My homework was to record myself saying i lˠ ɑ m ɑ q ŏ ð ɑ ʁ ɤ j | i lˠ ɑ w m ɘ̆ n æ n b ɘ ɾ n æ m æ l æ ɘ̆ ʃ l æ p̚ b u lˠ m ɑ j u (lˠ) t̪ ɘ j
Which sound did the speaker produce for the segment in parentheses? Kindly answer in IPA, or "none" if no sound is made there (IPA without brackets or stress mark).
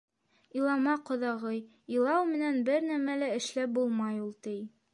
lˠ